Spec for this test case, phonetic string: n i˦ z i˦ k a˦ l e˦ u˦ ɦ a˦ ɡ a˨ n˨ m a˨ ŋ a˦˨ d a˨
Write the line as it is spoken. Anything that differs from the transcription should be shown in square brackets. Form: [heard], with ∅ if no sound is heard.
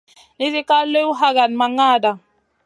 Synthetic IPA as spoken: n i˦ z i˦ k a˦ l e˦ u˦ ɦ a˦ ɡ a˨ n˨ m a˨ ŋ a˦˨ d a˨

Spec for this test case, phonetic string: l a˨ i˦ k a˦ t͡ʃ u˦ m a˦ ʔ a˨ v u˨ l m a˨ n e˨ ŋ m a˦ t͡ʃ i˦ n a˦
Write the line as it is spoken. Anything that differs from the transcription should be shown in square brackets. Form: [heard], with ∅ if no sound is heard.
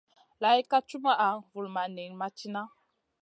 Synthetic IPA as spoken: l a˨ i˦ k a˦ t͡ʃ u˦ m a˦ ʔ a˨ v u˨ l m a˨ n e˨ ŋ m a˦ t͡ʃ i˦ n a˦

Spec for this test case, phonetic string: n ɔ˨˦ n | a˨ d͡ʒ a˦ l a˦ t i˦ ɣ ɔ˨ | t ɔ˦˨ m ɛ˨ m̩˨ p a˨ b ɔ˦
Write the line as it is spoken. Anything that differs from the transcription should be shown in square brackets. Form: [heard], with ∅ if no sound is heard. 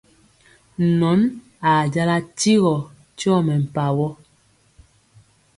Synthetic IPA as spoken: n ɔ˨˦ n | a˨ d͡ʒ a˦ l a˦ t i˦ ɣ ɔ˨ | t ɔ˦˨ m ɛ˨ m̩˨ p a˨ [w] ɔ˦

